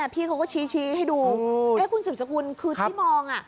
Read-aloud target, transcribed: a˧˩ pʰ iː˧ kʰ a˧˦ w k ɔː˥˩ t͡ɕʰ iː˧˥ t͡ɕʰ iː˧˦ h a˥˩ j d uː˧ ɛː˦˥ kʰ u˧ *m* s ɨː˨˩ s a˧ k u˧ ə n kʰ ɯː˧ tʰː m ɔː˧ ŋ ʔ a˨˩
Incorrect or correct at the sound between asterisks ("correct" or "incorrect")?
incorrect